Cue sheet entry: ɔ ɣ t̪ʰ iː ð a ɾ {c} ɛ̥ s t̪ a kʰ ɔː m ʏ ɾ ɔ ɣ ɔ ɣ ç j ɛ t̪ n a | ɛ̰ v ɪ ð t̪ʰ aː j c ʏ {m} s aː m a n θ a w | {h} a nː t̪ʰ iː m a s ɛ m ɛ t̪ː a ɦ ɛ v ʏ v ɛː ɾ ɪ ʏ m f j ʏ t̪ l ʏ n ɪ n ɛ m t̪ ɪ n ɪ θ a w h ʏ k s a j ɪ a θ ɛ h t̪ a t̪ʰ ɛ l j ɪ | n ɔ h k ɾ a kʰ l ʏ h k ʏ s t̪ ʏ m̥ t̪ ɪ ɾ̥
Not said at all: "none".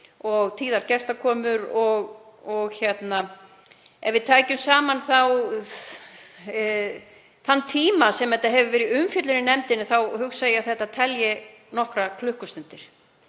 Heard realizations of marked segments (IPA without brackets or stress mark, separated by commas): c, m, θ